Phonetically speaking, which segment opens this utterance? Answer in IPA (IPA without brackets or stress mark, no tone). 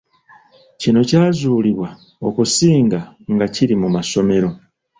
c